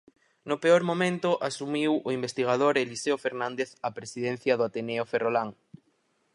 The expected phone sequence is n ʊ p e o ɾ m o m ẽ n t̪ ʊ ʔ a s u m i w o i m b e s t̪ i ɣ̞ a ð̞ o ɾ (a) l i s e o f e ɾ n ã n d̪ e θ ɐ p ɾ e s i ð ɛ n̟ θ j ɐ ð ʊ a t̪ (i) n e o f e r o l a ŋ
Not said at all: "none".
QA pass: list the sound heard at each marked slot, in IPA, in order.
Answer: e, e

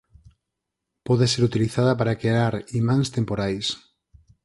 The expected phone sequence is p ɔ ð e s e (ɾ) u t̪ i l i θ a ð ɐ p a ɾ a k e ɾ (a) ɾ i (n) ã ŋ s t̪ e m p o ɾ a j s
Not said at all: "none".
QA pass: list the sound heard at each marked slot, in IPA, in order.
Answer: ɾ, a, m

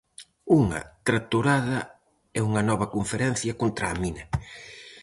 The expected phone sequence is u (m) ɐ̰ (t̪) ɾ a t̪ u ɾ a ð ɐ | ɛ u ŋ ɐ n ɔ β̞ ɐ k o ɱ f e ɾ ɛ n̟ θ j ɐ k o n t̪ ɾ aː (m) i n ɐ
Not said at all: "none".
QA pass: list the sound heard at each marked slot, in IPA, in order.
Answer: ŋ, t̪, m

